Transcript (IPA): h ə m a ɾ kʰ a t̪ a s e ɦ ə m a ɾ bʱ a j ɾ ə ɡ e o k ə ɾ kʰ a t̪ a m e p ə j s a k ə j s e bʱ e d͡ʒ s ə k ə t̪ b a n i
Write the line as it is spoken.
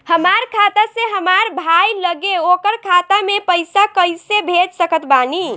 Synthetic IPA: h ə m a ɾ kʰ a t̪ a s e ɦ ə m a ɾ bʱ a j l ə ɡ e o k ə ɾ kʰ a t̪ a m e p ə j s a k ə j s e bʱ e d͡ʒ s ə k ə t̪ b a n i

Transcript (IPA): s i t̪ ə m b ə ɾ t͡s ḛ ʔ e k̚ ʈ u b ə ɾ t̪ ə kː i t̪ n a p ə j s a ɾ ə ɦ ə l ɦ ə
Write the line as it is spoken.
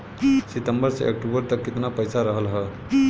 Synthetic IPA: s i t̪ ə m b ə ɾ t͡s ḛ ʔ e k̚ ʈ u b ə ɾ t̪ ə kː i t̪ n a p ə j s a ɾ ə ɦ ə l ɦ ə

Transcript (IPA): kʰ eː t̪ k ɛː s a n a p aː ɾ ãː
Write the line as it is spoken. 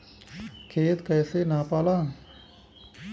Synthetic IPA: kʰ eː t̪ k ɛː s e n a p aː l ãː

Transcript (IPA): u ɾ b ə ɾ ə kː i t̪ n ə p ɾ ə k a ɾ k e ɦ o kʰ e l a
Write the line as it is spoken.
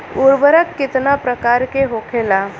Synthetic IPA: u ɾ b ə ɾ ə kː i t̪ n a p ɾ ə k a ɾ k e ɦ o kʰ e l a

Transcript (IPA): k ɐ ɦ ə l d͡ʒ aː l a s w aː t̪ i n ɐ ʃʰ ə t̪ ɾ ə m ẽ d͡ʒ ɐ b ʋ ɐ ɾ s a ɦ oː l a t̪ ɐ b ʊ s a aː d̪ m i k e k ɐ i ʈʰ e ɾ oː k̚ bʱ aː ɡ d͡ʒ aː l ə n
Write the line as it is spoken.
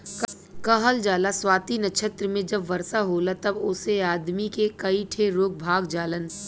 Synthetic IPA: k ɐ ɦ ə l d͡ʒ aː l a s w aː t̪ i n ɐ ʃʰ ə t̪ ɾ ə m ẽ d͡ʒ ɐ b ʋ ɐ ɾ s a ɦ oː l a t̪ ɐ b ʊ s e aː d̪ m i k e k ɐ i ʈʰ e ɾ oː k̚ bʱ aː ɡ d͡ʒ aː l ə n

